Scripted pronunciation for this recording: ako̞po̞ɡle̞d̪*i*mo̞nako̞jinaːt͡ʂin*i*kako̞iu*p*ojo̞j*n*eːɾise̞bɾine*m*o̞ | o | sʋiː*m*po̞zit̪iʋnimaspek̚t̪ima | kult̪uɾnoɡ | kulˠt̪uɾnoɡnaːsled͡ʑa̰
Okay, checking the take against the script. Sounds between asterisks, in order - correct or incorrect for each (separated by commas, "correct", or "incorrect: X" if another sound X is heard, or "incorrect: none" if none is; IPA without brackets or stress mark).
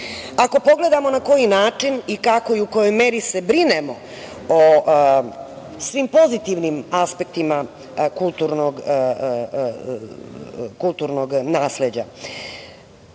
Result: incorrect: a, correct, incorrect: k, incorrect: m, correct, correct